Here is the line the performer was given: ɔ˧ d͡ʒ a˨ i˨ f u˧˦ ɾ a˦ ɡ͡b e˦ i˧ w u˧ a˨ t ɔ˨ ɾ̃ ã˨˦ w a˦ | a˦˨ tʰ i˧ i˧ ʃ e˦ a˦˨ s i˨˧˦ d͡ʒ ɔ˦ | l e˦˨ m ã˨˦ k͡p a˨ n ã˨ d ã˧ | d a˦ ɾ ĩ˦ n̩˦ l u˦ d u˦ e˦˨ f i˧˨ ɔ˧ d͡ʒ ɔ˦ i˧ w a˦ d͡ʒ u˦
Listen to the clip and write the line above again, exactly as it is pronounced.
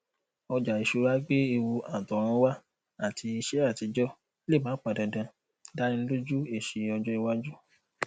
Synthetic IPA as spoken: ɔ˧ d͡ʒ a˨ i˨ ʃ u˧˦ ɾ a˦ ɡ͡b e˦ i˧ w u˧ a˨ t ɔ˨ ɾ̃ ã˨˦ w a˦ | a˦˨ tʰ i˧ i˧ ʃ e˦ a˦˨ t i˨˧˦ d͡ʒ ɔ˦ | l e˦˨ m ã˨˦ k͡p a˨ d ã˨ d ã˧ | d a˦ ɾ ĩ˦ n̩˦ l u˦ d͡ʒ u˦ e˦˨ ʃ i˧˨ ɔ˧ d͡ʒ ɔ˦ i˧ w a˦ d͡ʒ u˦

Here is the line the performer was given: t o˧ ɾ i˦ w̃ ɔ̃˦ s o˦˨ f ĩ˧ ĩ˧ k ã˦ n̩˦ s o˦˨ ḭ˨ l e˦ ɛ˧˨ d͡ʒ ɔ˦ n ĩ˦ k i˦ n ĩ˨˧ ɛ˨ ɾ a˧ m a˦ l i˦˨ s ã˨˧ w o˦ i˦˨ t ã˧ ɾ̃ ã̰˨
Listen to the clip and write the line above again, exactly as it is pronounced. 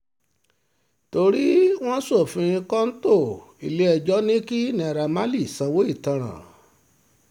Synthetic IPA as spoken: t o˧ ɾ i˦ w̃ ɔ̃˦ s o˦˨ f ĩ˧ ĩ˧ k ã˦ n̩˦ t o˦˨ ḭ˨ l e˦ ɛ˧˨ d͡ʒ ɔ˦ n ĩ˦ k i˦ n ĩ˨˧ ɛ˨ ɾ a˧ m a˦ l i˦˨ s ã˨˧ w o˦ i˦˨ t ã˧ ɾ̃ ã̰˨

